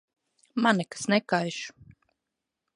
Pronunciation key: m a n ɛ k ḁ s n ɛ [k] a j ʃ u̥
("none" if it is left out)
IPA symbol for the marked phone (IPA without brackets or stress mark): k